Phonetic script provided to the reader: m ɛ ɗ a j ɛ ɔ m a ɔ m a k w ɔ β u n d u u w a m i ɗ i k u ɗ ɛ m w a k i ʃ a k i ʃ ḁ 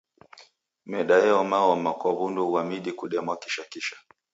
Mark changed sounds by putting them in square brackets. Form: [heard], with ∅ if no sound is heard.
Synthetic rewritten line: m ɛ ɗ a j ɛ ɔ m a ɔ m a k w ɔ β u n d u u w a m i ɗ i k u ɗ ɛ m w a k i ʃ a k i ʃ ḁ